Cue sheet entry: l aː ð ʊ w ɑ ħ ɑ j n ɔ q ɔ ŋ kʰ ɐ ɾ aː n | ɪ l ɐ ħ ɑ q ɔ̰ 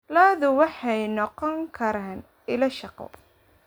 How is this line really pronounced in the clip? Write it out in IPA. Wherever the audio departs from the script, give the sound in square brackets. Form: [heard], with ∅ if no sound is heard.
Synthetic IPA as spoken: l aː ð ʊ w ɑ ħ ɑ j n ɔ q ɔ ŋ kʰ ɐ ɾ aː n | ɪ l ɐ [ʃ] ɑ q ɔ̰